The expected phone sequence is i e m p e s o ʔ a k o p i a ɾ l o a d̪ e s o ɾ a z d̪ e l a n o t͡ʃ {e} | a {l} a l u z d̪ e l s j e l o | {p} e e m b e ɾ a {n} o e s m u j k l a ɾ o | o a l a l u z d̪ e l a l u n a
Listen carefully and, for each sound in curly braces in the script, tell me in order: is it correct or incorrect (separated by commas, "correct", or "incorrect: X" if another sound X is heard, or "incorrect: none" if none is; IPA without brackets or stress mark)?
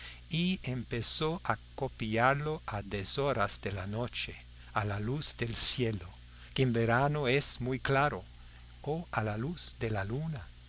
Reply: correct, correct, incorrect: k, correct